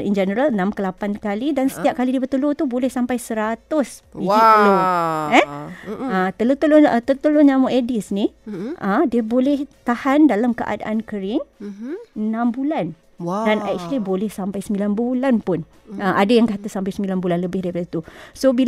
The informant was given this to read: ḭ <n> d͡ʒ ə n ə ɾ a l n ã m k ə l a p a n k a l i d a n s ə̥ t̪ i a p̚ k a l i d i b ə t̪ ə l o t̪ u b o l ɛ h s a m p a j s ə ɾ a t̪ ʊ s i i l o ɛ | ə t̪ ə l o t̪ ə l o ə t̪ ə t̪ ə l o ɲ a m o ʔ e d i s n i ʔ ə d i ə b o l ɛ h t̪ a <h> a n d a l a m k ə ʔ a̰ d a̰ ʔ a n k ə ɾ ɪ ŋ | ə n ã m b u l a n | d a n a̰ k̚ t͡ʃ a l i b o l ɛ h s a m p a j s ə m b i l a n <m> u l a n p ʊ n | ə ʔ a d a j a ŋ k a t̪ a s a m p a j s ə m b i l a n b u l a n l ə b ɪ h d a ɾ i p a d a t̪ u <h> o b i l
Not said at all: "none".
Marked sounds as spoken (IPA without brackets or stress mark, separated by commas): n, h, b, s